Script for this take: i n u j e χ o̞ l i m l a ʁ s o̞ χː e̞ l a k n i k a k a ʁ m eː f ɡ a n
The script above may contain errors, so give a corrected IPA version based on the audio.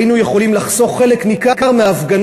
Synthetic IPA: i n u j e χ o̞ l i m l a χ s o̞ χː e̞ l e k n i k a k a ʁ m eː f ɡ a n